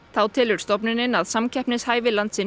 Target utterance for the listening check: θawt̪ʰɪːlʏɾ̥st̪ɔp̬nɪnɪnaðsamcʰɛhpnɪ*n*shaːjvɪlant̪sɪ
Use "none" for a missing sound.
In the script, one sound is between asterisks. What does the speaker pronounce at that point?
none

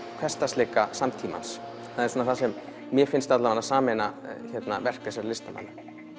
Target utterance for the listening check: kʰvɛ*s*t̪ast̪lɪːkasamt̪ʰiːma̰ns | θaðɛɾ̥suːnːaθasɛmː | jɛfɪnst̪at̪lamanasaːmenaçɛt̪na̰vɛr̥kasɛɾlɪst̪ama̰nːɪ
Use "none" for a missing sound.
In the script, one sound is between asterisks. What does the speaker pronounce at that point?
s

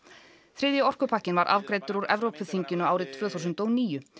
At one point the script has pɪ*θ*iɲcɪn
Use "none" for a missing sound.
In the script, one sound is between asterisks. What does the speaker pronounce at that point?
θ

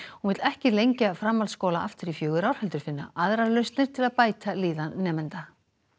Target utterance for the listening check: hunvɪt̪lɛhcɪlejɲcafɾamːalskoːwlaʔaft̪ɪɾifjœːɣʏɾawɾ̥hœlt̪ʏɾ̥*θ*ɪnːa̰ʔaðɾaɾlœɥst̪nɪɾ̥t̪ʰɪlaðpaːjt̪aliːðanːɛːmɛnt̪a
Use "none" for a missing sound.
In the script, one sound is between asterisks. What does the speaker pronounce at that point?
f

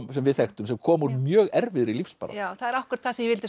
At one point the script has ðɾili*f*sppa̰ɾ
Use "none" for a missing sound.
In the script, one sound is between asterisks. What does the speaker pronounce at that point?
f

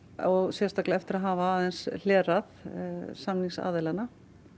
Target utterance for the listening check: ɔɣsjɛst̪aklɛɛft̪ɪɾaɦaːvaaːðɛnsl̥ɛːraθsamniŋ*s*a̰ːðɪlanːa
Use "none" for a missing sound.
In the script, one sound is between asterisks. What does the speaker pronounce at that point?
s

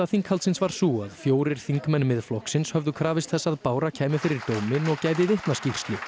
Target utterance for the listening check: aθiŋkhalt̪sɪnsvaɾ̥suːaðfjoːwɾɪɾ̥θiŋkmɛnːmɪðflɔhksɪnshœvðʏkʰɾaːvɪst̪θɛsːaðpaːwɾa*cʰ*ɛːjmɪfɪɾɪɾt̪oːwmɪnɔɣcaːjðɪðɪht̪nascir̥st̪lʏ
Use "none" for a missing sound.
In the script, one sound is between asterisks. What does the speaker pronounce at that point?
cʰ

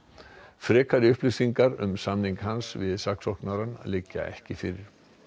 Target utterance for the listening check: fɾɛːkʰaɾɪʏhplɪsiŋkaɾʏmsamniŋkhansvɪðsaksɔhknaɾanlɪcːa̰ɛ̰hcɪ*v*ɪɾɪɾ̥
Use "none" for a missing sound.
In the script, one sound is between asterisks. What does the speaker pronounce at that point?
f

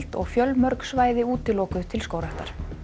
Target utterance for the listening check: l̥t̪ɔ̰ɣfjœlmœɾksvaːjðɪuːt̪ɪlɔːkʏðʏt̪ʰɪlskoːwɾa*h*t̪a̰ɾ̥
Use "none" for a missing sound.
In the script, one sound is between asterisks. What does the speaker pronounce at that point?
h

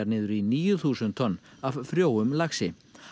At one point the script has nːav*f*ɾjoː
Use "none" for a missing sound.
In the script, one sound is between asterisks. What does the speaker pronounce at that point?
f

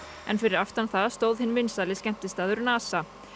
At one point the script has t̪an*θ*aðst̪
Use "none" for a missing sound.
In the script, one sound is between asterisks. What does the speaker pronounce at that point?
θ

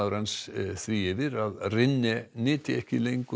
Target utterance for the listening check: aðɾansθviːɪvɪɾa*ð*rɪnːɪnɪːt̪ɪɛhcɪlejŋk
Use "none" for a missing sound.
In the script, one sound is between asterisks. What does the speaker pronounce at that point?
ð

